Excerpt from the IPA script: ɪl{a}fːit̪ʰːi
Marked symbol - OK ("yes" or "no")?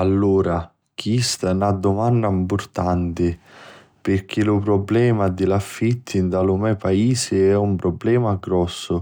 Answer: yes